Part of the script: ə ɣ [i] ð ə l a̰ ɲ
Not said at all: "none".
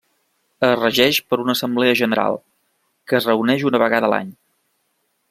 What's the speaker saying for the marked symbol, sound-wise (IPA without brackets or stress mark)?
a